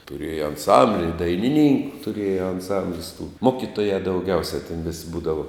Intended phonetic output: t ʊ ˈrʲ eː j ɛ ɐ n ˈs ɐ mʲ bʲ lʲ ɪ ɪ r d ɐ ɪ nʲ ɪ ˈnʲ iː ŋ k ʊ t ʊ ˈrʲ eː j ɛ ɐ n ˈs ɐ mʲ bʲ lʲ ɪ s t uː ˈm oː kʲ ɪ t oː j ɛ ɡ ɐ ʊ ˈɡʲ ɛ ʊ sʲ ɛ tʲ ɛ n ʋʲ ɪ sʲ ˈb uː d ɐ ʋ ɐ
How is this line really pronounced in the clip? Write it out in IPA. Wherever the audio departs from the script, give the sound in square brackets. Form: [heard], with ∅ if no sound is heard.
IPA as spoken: t ʊ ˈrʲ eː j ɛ ɐ n ˈs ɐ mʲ bʲ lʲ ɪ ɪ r d ɐ ɪ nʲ ɪ ˈnʲ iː ŋ k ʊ t ʊ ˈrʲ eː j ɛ ɐ n ˈs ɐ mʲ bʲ lʲ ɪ s t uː ˈm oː kʲ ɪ t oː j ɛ [d] ɐ ʊ ˈɡʲ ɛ ʊ sʲ ɛ tʲ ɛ n ʋʲ ɪ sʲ ˈb uː d ɐ ʋ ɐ